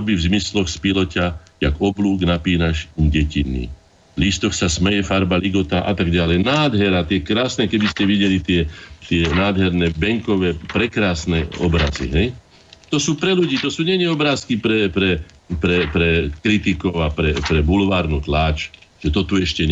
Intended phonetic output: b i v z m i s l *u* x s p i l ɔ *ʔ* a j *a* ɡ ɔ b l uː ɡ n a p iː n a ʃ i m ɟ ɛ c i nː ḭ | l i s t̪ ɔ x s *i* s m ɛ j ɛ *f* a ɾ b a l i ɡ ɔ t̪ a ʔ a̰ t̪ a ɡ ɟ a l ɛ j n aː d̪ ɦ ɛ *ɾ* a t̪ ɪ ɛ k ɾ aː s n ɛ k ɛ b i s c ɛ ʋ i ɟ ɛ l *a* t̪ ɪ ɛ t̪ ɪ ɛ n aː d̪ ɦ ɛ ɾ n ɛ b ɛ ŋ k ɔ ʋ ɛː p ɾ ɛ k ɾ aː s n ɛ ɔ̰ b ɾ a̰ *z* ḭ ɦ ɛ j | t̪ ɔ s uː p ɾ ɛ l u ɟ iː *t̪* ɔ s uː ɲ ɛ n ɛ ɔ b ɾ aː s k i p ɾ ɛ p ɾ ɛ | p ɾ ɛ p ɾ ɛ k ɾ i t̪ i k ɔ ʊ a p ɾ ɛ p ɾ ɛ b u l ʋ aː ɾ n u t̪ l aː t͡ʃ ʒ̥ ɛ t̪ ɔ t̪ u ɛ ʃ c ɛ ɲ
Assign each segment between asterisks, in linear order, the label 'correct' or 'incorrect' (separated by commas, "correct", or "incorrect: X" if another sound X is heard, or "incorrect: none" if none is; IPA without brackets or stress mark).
incorrect: ɔ, incorrect: c, correct, incorrect: a, correct, correct, incorrect: i, correct, correct